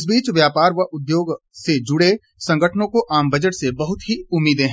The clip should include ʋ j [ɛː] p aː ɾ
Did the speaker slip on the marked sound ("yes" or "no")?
yes